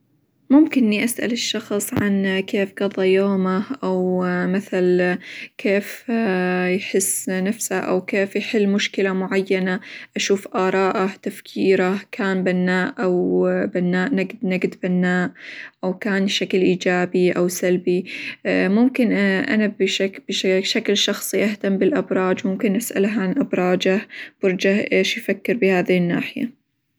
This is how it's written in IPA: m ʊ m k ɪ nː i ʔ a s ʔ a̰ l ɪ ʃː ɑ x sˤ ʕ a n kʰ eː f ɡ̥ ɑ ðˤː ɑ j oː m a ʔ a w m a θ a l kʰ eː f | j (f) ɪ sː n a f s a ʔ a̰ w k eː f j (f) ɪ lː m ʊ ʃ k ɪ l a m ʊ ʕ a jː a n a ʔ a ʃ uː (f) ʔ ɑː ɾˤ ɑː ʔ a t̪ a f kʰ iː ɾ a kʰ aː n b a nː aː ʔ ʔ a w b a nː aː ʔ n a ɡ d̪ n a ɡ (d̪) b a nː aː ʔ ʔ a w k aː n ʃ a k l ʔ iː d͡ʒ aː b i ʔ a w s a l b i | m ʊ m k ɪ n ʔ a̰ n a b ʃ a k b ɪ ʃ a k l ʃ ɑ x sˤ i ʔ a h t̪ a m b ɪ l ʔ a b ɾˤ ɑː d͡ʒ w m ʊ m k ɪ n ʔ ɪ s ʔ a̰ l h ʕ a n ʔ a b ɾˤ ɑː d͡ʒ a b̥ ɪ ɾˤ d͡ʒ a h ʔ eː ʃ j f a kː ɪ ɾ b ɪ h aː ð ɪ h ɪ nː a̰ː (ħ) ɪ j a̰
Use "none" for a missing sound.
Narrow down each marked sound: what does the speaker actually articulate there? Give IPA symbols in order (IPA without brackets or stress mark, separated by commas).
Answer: ħ, ħ, f, d̪, ħ